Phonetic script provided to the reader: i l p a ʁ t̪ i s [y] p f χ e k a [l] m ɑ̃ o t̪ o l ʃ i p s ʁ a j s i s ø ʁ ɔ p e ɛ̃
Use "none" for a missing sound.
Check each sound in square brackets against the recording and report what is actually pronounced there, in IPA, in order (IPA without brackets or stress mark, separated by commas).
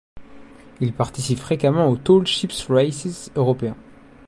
i, none